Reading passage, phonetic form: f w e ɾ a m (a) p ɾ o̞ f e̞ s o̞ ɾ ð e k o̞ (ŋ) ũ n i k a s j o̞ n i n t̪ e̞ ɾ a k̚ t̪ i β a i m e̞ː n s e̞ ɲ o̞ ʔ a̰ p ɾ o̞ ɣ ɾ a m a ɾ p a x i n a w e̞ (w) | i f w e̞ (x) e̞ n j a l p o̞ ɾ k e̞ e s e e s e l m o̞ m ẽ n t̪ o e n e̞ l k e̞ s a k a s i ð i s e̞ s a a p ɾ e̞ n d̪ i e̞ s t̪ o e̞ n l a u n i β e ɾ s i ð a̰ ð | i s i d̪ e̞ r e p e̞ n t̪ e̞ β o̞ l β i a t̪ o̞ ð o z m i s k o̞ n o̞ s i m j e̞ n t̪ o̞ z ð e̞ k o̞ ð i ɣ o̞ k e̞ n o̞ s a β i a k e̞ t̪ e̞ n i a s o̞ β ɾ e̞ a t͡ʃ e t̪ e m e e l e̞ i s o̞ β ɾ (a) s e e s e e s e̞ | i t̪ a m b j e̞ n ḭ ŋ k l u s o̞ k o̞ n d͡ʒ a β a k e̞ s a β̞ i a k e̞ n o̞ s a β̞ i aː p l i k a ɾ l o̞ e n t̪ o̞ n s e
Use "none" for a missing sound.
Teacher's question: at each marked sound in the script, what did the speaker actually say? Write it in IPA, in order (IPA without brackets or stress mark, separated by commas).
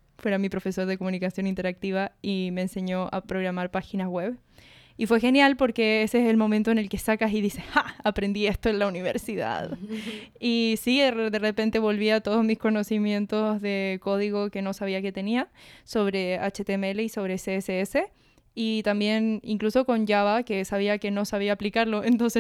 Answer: i, m, β, x, e